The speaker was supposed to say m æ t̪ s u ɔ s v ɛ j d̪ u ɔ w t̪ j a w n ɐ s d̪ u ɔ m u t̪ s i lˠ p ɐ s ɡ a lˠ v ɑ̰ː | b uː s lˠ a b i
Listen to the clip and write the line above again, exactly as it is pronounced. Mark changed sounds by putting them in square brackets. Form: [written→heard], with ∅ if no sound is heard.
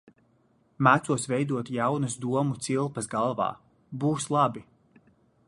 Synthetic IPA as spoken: m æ t̪ s u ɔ s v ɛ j d̪ u ɔ [w→∅] t̪ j a w n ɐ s d̪ u ɔ m u t̪ s i lˠ p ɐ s ɡ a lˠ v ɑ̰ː | b uː s lˠ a b i